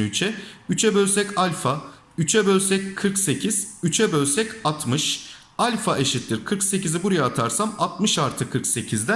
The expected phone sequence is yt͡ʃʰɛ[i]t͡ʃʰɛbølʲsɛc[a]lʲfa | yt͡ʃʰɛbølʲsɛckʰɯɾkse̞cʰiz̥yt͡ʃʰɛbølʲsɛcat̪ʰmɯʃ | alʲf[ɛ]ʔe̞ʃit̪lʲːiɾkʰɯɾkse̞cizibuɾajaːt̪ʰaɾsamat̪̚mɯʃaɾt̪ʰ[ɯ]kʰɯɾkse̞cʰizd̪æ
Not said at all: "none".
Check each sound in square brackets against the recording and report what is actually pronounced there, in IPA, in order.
y, a, a, ɯ

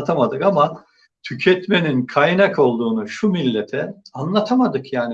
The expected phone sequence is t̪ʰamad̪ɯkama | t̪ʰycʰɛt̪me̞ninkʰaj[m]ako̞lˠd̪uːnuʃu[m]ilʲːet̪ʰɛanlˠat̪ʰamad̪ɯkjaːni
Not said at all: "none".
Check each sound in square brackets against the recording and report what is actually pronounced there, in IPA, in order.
n, m

